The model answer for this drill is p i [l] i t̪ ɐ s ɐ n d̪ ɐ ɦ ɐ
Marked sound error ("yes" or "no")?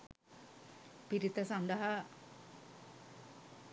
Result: yes